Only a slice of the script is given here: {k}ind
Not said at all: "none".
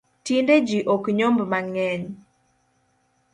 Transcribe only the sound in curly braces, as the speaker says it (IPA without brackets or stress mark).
t